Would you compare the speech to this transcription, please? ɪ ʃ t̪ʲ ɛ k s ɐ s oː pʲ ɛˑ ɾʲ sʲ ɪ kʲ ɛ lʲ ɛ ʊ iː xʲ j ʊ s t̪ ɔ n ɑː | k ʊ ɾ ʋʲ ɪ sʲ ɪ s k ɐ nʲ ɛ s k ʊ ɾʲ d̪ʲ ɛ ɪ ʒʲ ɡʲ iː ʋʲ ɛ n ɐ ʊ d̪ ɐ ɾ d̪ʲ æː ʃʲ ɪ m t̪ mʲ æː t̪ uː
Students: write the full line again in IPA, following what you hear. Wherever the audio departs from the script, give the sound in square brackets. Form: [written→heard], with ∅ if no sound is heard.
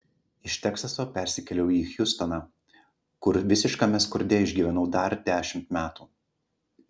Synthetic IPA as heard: ɪ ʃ t̪ʲ ɛ k s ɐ s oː pʲ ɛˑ ɾʲ sʲ ɪ kʲ ɛ lʲ ɛ ʊ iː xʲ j ʊ s t̪ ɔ n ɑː | k ʊ ɾ ʋʲ ɪ sʲ ɪ [s→ʃ] k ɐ [nʲ→mʲ] ɛ s k ʊ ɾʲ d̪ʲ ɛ ɪ ʒʲ ɡʲ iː ʋʲ ɛ n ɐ ʊ d̪ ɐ ɾ d̪ʲ æː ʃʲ ɪ m t̪ mʲ æː t̪ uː